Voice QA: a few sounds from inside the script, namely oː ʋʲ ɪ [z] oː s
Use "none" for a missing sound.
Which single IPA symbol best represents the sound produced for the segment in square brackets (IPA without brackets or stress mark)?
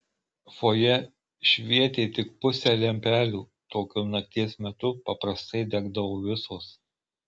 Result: s